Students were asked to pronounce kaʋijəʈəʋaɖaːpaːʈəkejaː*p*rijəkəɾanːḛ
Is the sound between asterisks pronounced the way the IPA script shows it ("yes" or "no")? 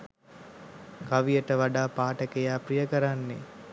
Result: yes